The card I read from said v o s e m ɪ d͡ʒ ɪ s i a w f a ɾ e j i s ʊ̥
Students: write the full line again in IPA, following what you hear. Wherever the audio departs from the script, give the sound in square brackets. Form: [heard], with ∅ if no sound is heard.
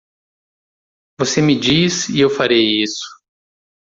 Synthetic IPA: v o s e m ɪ d͡ʒ [i] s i [e] w f a ɾ e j i s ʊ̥